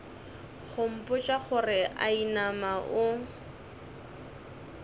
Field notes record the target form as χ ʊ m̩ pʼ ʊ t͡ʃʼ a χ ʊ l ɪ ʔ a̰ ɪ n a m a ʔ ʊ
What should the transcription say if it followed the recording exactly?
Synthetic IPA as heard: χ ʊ m̩ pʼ ʊ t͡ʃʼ a χ ʊ r ɪ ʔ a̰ i n a m a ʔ ʊ

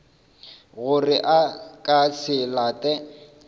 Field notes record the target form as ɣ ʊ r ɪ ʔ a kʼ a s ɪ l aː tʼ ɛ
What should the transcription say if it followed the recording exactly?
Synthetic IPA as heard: ɣ ʊ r ɪ ʔ a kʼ a s ɪ l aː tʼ ɛ

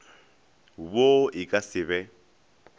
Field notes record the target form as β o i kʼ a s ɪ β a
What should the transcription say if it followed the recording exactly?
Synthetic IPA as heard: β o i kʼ a s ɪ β ɛ

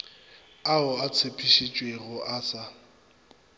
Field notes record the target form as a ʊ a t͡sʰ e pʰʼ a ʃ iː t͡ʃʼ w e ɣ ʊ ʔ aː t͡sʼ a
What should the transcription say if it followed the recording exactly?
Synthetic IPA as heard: a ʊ a t͡sʰ e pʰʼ i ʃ i t͡ʃʼ w e ɣ ʊ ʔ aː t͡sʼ a

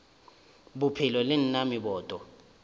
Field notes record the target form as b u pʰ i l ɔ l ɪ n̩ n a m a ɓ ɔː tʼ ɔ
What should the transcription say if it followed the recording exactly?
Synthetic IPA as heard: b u pʰ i l ɔ l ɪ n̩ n a m i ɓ ɔː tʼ ɔ

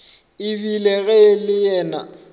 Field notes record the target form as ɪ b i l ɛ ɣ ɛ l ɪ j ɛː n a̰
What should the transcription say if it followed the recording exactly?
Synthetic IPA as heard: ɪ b i l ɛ ɣ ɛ l ɪ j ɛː n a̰

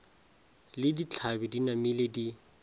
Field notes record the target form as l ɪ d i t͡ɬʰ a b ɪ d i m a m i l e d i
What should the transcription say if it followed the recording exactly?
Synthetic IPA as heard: l ɪ d i t͡ɬʰ a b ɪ d i n a m i l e d i

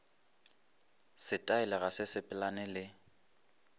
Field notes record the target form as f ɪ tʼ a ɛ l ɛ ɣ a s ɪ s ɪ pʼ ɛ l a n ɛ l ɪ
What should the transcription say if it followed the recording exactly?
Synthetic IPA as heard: s ɪ tʼ a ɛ l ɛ ɣ a s ɪ s ɪ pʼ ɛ l a n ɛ l ɪ

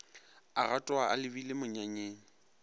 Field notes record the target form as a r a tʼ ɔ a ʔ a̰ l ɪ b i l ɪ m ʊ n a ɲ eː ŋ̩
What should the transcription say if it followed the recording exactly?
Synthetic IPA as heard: a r a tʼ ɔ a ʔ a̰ l ɪ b i l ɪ m ʊ ɲ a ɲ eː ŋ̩

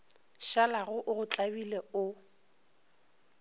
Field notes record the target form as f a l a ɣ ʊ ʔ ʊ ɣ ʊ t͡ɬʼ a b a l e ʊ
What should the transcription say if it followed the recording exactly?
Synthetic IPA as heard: ʃ a l a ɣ ʊ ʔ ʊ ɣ ʊ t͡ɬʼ a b i l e ʊ

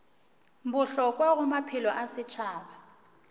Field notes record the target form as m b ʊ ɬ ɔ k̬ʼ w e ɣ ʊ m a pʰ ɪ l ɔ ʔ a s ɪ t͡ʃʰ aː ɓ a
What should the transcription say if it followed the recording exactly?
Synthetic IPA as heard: m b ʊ ɬ ɔ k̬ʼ w a ɣ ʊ m a pʰ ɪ l ɔ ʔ a s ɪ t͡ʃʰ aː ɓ a

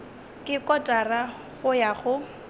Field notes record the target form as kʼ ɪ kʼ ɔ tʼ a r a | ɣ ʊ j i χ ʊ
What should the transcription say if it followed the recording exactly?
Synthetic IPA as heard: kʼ ɪ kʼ ɔ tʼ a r a | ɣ ʊ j a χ ʊ

